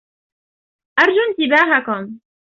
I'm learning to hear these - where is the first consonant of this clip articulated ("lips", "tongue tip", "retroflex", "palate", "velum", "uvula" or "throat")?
throat